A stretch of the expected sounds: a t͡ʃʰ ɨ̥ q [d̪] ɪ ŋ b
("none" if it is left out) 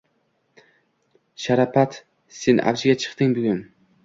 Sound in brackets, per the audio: t̪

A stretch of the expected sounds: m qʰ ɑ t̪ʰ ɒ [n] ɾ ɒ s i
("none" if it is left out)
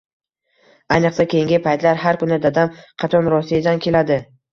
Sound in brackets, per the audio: n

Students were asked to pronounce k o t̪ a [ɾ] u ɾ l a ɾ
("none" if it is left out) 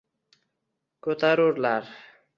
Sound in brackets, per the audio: ɾ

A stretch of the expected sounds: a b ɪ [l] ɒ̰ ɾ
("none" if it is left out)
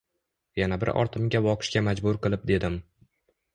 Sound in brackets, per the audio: ɾ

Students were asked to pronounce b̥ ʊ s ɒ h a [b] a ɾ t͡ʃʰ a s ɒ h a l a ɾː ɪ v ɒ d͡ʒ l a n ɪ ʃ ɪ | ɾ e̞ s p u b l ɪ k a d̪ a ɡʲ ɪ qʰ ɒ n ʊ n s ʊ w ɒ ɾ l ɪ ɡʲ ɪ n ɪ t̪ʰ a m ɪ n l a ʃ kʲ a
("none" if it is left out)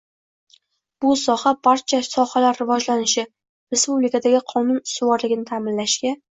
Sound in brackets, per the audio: b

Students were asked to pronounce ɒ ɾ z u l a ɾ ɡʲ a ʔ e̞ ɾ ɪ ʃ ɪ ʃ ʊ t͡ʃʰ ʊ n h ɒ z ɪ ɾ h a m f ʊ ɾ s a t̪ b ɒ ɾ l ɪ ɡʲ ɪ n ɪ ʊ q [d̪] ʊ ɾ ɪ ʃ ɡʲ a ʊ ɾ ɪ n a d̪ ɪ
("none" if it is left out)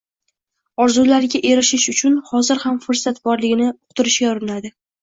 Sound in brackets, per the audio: t̪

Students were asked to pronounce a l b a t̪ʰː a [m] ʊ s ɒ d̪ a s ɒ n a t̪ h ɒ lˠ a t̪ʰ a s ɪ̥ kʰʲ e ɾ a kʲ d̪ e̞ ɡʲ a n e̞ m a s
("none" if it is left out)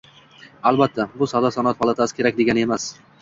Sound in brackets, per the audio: b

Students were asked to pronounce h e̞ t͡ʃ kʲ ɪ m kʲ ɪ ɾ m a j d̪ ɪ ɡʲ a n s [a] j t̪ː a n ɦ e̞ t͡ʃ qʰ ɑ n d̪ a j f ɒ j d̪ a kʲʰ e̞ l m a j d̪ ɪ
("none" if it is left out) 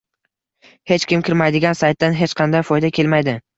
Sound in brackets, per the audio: a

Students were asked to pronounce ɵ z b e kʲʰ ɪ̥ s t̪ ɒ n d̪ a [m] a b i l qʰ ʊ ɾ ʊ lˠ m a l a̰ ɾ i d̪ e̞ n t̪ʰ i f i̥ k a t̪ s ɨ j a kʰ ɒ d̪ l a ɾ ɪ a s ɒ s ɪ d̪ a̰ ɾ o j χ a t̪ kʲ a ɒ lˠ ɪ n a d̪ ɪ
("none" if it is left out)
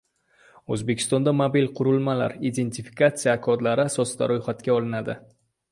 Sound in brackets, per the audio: m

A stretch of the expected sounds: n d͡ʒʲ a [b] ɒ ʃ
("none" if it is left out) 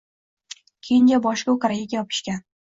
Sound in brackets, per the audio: b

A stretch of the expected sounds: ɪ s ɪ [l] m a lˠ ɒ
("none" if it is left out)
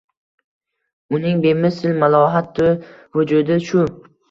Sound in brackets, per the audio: l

